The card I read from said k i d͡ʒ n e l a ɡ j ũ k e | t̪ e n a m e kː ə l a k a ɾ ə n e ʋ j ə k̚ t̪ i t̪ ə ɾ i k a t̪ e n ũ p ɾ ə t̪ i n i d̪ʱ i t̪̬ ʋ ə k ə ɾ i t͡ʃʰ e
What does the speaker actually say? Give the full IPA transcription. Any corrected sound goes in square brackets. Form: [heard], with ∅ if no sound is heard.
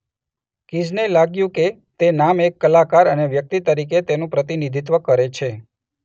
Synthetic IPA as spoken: k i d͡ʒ n e l a ɡ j ũ k e | t̪ e n a m e kː ə l a k a ɾ ə n e ʋ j ə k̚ t̪ i t̪ ə ɾ i k [e] t̪ e n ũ p ɾ ə t̪ i n i d̪ʱ i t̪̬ ʋ ə k ə ɾ [e] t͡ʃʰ e

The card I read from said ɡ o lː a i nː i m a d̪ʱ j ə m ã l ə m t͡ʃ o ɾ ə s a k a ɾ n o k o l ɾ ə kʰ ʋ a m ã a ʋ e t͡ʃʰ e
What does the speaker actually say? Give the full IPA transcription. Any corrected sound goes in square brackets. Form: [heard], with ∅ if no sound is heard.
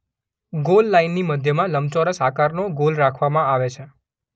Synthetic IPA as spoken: ɡ o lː a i nː i m [ə] d̪ʱ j ə m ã l ə m t͡ʃ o ɾ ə s a k a ɾ n o [ɡ] o l ɾ [a] kʰ ʋ a m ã a ʋ e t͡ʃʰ e

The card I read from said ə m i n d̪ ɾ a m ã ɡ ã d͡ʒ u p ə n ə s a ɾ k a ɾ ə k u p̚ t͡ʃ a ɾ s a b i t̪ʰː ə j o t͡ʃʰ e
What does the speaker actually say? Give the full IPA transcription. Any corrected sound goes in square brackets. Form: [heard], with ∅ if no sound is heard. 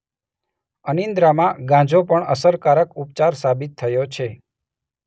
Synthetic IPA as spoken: ə [n] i n d̪ ɾ a m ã ɡ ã d͡ʒ [o] p ə [ɳ] ə s [ə] ɾ k a ɾ ə k u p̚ t͡ʃ a ɾ s a b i t̪ʰː ə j o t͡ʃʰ e

